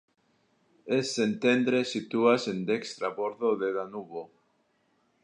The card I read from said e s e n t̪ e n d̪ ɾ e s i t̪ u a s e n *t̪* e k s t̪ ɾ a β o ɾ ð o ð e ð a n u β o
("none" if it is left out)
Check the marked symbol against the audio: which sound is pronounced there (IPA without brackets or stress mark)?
d̪